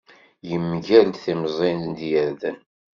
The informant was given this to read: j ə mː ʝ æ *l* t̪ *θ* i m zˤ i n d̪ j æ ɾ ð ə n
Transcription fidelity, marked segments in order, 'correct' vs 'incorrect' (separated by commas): correct, correct